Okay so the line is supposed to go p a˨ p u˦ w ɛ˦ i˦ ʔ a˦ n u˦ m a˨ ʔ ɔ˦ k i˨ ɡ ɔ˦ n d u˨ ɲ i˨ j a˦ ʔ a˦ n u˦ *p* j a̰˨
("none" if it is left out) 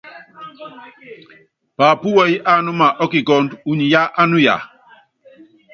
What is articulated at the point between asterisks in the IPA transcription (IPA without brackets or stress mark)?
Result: none